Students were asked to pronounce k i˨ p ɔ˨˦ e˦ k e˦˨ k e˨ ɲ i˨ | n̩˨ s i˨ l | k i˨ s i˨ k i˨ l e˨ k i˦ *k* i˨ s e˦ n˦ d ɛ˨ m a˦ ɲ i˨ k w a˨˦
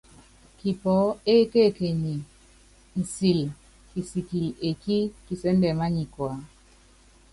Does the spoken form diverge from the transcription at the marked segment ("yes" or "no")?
no